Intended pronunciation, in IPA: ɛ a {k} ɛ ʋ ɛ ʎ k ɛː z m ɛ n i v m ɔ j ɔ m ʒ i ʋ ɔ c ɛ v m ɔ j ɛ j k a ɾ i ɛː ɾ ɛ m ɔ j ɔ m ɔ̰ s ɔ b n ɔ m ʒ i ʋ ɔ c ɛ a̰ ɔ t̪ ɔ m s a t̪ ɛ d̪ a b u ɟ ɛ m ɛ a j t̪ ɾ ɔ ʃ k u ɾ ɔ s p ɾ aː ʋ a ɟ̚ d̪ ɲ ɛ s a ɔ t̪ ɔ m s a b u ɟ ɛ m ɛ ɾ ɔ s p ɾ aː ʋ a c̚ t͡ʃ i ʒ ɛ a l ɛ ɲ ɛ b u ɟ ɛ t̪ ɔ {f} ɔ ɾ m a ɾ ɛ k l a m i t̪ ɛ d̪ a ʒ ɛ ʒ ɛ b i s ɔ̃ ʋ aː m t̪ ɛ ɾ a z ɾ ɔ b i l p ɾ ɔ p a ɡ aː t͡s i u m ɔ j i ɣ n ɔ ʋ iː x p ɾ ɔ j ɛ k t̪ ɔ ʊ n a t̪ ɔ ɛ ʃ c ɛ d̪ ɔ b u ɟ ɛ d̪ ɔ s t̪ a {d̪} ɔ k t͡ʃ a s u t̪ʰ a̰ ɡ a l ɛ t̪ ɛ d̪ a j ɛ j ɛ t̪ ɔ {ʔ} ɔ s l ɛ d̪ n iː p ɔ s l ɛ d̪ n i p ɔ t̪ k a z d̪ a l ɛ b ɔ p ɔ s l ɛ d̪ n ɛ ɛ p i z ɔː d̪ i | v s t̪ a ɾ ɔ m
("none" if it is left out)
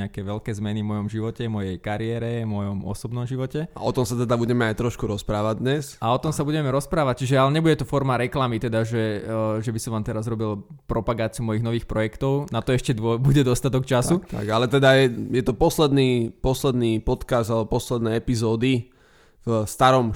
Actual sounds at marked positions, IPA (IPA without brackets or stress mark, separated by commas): k, f, t̪, p